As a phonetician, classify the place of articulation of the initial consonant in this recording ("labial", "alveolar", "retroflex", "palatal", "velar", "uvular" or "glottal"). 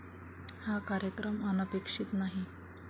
glottal